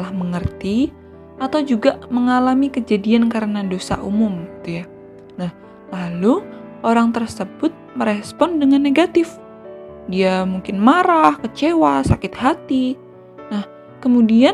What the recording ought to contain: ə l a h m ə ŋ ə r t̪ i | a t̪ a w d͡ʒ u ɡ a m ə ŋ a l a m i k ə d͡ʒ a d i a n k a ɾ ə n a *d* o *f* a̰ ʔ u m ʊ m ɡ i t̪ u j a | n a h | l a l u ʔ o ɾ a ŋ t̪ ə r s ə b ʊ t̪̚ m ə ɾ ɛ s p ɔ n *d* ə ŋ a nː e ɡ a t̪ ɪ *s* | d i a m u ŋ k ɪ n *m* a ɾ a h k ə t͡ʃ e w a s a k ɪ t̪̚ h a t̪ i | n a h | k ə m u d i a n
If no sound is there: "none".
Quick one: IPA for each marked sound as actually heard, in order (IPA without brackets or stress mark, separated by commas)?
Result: d, s, d, f, m